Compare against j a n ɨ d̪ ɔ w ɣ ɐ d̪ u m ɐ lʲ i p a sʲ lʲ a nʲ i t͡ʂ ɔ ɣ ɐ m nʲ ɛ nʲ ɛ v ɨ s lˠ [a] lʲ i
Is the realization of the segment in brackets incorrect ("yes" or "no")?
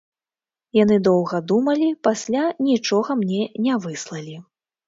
yes